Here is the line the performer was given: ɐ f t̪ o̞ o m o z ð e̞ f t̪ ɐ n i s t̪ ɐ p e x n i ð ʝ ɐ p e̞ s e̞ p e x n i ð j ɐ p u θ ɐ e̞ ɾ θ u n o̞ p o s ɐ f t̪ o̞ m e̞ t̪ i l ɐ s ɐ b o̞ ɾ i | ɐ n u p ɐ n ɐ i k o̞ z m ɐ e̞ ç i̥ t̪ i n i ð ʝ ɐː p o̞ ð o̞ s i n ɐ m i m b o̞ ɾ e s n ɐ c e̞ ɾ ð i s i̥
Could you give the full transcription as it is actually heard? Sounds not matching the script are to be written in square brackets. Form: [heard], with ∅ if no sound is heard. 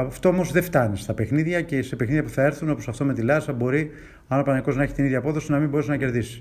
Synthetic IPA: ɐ f t̪ o̞ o m o z ð e̞ f t̪ ɐ n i s t̪ ɐ p e x n i ð ʝ ɐ [c] e̞ s e̞ p e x n i ð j ɐ p u θ ɐ e̞ ɾ θ u n o̞ p o s ɐ f t̪ o̞ m e̞ t̪ i l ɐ s ɐ b o̞ ɾ i | ɐ n [o] p ɐ n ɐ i k o̞ z [n] ɐ e̞ ç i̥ t̪ i n i ð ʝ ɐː p o̞ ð o̞ s i n ɐ m i m b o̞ ɾ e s n ɐ c e̞ ɾ ð i s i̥